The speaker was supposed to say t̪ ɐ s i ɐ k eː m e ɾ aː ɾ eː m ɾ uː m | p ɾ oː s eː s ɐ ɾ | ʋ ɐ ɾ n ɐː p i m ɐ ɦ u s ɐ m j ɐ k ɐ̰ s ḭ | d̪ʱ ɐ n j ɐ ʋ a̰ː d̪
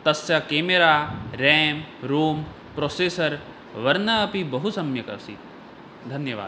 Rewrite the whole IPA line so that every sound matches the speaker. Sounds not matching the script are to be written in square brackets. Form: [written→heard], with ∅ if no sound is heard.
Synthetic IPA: t̪ ɐ s [i→j] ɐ k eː m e ɾ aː ɾ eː m ɾ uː m | p ɾ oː s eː s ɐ ɾ | ʋ ɐ ɾ n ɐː p i [m→b] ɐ ɦ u s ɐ m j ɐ k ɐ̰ s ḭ | d̪ʱ ɐ n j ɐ ʋ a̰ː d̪